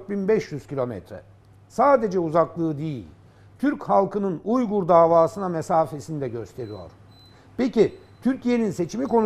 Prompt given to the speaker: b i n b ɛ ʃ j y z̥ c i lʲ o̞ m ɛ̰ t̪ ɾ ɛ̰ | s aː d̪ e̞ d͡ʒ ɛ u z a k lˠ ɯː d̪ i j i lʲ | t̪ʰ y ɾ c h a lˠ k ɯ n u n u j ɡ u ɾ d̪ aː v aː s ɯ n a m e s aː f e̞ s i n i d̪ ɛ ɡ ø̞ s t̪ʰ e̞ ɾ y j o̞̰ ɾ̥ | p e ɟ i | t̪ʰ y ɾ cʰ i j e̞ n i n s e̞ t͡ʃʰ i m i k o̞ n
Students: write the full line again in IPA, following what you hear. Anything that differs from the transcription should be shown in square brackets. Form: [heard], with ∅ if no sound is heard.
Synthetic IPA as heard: b i n b ɛ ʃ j y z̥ c i lʲ o̞ m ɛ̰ t̪ ɾ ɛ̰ | s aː d̪ e̞ d͡ʒ ɛ u z a k lˠ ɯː d̪ i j i lʲ | t̪ʰ y ɾ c h a lˠ k ɯ n [ɯ] n u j ɡ u ɾ d̪ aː v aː s ɯ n a m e s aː f e̞ s i n i d̪ ɛ [ɟ] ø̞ s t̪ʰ e̞ ɾ [i] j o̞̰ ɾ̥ | p e [c] i | t̪ʰ y ɾ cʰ i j e̞ n i n s e̞ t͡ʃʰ i m i k o̞ n